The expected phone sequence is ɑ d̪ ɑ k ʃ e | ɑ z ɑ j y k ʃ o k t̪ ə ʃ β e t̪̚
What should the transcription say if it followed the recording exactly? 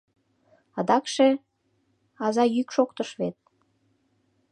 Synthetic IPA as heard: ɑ d̪ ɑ k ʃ e | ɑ z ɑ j y k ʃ o k t̪ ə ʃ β e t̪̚